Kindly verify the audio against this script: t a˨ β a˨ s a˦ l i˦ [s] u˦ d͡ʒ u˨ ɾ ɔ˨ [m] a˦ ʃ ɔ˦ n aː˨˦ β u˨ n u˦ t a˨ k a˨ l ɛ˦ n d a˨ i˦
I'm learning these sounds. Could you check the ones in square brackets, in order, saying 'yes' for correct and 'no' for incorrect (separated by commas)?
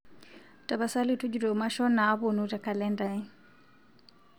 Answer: no, yes